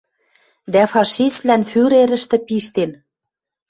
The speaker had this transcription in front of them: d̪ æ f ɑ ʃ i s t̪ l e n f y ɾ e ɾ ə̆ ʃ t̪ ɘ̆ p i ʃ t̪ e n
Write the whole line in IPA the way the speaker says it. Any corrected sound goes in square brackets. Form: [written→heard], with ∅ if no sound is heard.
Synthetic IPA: d̪ æ f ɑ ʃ i s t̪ l [e→æ] n f y ɾ e ɾ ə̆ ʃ t̪ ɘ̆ p i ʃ t̪ e n